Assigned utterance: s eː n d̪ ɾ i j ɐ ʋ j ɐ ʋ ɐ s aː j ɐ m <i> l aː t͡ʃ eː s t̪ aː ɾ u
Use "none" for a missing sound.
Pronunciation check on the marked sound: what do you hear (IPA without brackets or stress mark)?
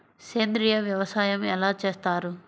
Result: ɛ